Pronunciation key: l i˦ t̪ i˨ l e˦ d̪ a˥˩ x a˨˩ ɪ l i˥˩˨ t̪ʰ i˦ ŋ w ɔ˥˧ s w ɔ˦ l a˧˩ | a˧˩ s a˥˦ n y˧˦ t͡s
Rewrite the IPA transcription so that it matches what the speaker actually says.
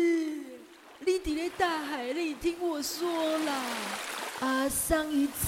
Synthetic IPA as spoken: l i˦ t̪ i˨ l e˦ t̪ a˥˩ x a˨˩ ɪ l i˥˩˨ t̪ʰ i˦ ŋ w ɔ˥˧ s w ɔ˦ l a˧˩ | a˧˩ s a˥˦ ŋ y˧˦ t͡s